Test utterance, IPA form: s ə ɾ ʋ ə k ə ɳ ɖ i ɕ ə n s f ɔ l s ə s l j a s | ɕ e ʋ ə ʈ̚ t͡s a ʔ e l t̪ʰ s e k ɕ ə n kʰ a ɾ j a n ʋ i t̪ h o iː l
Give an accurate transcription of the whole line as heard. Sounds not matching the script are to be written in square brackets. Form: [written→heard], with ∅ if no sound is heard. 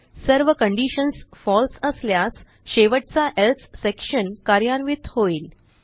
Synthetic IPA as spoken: s ə ɾ ʋ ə k ə ɳ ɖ i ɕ ə n s f ɔ l s ə s l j a s | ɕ e ʋ ə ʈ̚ t͡s a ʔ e l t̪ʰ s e k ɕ ə n [kʰ→k] a ɾ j a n ʋ i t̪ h o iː l